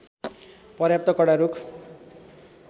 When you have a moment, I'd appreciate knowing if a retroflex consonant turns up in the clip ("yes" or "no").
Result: yes